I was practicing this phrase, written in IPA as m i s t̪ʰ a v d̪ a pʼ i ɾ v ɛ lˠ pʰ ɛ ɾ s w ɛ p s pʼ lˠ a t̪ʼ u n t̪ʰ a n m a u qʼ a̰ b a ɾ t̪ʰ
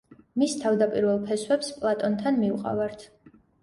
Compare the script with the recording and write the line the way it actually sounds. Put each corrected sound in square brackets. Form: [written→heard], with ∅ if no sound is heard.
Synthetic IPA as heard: m i s t̪ʰ a v d̪ a pʼ i ɾ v ɛ lˠ pʰ ɛ [ɾ→∅] s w ɛ p s pʼ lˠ a t̪ʼ [u→ɔ] n t̪ʰ a n m [a→i] u qʼ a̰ [b→v] a ɾ t̪ʰ